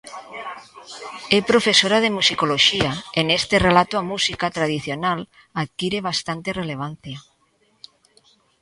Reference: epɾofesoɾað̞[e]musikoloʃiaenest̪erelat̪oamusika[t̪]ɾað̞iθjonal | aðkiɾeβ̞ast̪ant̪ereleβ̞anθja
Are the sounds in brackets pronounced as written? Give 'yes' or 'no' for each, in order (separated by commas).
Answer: yes, yes